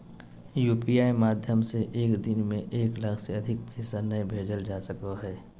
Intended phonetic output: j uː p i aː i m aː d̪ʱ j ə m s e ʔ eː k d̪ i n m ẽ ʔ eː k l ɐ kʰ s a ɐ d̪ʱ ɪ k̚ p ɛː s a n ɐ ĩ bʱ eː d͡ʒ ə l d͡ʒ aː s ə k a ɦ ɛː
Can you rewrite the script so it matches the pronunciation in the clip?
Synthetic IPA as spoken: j uː p i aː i m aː d̪ʱ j ə m s e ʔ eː k d̪ ɪ n m ẽ ʔ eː k l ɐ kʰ s e ɐ d̪ʱ ɪ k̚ p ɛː s a n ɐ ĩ bʱ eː d͡ʒ ə l d͡ʒ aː s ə k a ɦ ɛː